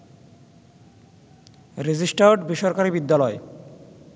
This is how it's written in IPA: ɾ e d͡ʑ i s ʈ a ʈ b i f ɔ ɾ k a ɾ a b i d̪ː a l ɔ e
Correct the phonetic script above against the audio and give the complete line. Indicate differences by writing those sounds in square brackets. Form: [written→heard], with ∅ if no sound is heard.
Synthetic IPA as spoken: ɾ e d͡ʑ i s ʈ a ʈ b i [f→ʃ] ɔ ɾ k a ɾ [a→i] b i d̪ː a l ɔ e